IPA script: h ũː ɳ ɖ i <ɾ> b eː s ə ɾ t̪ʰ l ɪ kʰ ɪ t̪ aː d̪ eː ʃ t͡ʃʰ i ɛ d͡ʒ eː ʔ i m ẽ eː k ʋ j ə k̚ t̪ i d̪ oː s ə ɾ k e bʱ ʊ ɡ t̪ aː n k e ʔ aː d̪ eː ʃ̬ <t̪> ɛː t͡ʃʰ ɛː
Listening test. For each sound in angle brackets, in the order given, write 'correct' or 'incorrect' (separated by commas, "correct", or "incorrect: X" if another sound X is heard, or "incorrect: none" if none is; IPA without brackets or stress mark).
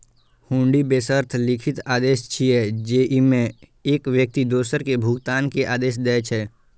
incorrect: none, incorrect: d̪